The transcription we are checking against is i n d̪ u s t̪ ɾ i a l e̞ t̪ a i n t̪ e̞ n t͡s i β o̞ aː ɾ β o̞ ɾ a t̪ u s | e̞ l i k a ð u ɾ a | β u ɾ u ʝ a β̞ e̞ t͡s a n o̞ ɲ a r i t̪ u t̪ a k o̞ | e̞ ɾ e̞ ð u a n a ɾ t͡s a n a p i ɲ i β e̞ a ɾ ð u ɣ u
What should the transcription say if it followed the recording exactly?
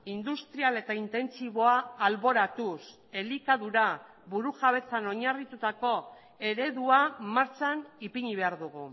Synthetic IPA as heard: i n d̪ u s t̪ ɾ i a l e̞ t̪ a i n t̪ e̞ n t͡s i β o̞ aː l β o̞ ɾ a t̪ u s | e̞ l i k a ð u ɾ a | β u ɾ u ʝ a β̞ e̞ t͡s a n o̞ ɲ a r i t̪ u t̪ a k o̞ | e̞ ɾ e̞ ð u a m a ɾ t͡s a n i p i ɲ i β e̞ a ɾ ð u ɣ u